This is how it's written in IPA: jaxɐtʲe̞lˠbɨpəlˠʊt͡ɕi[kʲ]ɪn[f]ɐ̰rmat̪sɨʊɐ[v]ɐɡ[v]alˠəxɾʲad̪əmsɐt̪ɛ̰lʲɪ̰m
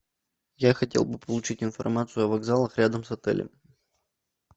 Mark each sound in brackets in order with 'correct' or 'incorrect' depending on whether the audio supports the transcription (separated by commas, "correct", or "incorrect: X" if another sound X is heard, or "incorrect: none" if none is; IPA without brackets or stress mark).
incorrect: tʲ, correct, correct, incorrect: z